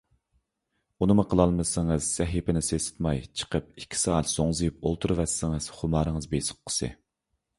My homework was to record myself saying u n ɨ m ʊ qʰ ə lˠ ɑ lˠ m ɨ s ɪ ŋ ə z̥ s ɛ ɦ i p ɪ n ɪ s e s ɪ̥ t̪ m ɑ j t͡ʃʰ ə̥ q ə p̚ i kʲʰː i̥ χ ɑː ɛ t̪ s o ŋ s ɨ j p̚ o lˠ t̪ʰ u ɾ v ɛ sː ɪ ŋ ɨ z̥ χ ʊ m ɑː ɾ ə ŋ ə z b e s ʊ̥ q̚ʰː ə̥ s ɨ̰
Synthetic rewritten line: u n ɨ m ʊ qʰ ə lˠ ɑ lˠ m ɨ s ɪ ŋ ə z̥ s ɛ ɦ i p ɪ n ɪ s e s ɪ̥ t̪ m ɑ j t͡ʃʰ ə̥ q ə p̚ i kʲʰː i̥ s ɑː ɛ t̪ s o ŋ z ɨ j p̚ o lˠ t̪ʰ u ɾ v ɛ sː ɪ ŋ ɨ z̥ χ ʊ m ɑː ɾ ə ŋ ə z b e s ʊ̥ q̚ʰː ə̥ s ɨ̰